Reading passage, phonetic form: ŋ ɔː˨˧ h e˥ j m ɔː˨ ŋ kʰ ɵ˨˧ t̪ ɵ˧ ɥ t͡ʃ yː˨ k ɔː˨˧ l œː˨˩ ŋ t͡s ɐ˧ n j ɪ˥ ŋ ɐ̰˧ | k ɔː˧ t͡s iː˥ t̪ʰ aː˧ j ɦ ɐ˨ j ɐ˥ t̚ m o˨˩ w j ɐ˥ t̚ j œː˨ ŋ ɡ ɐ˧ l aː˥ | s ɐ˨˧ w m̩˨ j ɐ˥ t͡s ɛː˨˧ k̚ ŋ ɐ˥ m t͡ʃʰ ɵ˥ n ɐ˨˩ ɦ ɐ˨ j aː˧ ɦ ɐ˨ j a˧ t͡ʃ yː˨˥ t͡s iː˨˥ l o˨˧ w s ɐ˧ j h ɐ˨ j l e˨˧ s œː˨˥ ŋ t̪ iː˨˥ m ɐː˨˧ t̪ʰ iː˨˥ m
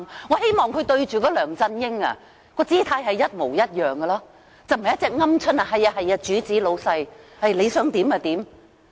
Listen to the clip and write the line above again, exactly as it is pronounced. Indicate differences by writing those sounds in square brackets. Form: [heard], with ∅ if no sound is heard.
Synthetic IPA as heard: ŋ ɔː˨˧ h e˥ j m ɔː˨ ŋ kʰ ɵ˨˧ t̪ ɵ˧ ɥ t͡ʃ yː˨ k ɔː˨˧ l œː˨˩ ŋ t͡s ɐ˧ n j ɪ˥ ŋ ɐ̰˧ | k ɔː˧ t͡s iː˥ t̪ʰ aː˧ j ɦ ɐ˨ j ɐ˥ t̚ m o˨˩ w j ɐ˥ t̚ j œː˨ ŋ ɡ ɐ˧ l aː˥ | [t͡s] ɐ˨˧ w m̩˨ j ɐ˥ t͡s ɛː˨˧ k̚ ŋ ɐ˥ m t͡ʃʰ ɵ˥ n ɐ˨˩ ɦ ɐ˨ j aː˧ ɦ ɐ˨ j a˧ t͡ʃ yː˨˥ t͡s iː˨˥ l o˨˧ w s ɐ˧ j h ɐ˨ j l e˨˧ s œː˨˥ ŋ t̪ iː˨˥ m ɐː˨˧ [t̪] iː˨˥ m

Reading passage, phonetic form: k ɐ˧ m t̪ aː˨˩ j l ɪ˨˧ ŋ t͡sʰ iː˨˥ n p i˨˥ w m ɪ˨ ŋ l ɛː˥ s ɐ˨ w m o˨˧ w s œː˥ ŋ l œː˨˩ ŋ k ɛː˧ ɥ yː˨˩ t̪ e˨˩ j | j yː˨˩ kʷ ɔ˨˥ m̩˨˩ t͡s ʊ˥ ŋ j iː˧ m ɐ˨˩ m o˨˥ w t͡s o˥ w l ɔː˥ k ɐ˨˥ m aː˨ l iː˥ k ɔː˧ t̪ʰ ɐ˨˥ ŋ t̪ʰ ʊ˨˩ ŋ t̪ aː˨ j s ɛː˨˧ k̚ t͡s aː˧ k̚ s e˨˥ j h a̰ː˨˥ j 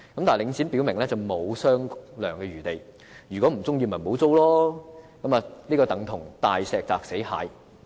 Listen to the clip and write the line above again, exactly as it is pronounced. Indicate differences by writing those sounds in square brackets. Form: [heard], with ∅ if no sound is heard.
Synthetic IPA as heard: k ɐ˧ m t̪ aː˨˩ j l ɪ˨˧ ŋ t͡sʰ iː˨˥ n p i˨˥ w m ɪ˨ ŋ l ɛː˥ [t͡s] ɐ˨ w m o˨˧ w s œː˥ ŋ l œː˨˩ ŋ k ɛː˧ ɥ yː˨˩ t̪ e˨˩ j | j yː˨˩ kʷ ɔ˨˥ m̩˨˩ t͡s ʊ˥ ŋ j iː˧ m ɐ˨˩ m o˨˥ w t͡s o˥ w l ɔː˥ k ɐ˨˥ m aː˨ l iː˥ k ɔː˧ [t̪] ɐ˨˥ ŋ t̪ʰ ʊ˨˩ ŋ t̪ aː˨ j s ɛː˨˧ k̚ t͡s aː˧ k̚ s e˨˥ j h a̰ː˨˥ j

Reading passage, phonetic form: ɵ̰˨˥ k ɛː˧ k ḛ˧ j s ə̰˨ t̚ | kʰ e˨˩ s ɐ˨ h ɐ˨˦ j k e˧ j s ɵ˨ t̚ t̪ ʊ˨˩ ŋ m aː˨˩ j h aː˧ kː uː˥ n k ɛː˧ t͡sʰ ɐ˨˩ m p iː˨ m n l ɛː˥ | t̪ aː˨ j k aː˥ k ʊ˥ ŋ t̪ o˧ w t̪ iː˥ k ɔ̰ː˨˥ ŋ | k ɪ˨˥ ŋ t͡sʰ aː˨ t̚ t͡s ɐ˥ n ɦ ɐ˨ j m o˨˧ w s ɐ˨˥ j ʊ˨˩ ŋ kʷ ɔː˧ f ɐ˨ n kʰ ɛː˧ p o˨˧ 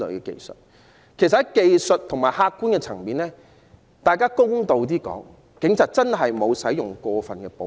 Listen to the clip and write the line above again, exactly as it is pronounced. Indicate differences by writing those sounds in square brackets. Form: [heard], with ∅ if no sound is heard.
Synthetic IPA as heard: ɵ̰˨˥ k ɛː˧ k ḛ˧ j s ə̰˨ t̚ | kʰ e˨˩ s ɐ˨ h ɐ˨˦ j k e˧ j s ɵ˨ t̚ [t̪ʰ] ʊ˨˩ ŋ m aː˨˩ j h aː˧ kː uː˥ n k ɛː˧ t͡sʰ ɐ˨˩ [ŋ] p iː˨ [∅] n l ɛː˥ | t̪ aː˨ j k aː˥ k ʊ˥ ŋ t̪ o˧ w t̪ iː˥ k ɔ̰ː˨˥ ŋ | k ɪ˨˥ ŋ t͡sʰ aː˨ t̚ t͡s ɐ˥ n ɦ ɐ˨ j m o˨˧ w s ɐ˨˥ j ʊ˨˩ ŋ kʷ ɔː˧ f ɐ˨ n [k] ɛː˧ p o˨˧

